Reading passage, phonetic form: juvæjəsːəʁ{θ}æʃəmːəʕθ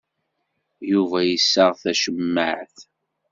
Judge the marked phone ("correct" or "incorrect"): correct